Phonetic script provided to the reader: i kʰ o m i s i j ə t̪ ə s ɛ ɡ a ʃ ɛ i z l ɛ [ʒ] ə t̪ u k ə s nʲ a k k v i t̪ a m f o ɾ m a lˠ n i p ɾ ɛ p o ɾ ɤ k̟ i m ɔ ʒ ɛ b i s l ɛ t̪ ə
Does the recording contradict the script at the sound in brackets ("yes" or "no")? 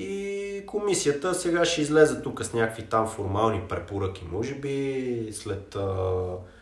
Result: yes